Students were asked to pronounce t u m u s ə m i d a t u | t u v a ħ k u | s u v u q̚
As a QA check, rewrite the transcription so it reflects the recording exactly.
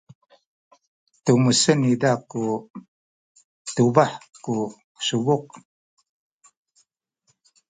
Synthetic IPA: t u m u s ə n i d a k u | t u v a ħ k u | s u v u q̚